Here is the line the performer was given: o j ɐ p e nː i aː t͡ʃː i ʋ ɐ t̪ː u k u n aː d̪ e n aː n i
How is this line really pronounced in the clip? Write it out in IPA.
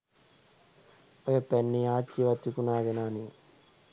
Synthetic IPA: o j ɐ p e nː i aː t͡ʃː i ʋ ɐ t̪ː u k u n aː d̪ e n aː n i